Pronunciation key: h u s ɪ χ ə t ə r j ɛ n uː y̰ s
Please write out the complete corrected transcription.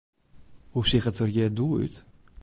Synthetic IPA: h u s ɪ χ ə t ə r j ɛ d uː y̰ t